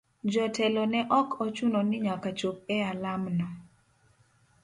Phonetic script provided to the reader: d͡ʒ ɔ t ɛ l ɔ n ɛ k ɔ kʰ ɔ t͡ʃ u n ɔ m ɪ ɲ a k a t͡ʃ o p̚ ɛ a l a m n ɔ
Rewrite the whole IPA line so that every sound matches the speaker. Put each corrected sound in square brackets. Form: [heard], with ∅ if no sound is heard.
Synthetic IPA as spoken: d͡ʒ ɔ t ɛ l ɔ n ɛ [ʔ] ɔ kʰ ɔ t͡ʃ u n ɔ [n] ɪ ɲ a k a t͡ʃ o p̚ ɛ a l a m n ɔ